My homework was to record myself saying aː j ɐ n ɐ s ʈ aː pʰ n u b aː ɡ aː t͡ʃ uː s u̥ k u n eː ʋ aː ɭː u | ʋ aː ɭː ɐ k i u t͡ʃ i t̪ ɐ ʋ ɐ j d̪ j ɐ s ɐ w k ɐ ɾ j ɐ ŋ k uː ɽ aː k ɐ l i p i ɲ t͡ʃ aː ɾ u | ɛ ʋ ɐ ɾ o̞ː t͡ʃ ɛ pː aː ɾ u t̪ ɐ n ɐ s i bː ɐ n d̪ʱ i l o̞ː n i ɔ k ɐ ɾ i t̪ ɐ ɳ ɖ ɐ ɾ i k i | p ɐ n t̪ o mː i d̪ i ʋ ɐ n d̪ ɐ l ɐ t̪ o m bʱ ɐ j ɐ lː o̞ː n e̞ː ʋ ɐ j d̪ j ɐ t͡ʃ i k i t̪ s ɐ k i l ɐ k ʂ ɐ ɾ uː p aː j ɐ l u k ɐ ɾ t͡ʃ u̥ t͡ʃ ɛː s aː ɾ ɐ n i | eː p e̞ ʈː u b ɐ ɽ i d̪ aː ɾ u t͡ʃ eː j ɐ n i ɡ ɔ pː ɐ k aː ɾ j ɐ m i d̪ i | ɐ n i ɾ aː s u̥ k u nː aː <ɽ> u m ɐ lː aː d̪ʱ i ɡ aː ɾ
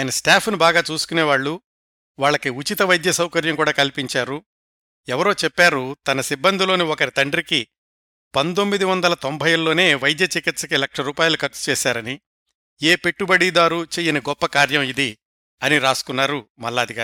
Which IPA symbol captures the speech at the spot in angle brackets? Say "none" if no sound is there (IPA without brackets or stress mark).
ɾ